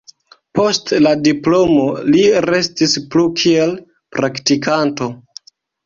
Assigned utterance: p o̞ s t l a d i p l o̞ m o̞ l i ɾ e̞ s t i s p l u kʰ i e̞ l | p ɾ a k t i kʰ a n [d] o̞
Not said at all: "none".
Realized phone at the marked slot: t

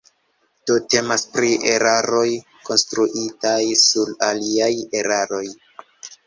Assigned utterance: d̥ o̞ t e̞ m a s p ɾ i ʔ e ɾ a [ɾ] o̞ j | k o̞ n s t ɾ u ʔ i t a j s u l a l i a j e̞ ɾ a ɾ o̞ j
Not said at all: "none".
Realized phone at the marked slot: ɾ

